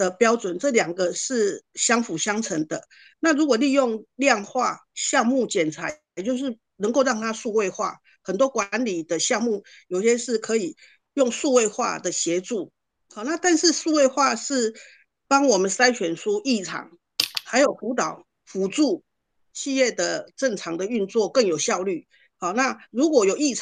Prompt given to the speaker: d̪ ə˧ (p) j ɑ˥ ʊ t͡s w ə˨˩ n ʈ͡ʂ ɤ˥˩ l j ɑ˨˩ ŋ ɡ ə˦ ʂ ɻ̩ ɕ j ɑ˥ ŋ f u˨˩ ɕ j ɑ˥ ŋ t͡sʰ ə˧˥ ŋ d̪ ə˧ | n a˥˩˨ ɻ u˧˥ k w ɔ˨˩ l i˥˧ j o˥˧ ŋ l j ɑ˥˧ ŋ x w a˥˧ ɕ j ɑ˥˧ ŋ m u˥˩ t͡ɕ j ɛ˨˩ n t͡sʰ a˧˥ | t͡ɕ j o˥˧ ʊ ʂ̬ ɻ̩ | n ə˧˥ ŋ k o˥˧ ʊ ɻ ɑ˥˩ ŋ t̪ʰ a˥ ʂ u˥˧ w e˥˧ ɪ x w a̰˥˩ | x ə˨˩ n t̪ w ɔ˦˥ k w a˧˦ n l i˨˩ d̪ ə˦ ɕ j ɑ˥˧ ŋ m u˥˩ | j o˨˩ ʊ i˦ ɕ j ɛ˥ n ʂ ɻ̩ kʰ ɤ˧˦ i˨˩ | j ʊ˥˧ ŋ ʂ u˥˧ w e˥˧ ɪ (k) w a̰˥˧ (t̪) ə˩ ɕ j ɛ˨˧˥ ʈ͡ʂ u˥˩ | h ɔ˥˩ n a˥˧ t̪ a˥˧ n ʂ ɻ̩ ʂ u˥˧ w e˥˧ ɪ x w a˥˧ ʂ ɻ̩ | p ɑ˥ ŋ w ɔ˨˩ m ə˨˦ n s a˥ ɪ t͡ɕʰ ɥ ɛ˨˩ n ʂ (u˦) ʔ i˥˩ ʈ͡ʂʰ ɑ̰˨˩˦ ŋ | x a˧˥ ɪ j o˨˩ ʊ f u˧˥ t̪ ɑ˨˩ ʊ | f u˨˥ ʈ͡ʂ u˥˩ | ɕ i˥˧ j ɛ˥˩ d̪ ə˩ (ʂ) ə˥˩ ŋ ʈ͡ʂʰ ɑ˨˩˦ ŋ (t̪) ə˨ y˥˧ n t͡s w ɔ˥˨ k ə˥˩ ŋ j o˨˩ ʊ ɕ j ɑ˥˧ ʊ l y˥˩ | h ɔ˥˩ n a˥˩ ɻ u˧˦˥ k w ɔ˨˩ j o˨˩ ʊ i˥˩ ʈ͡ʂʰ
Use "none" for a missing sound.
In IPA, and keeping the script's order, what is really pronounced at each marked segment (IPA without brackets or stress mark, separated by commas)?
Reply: p, x, d̪, u˦, ʈ͡ʂ, d̪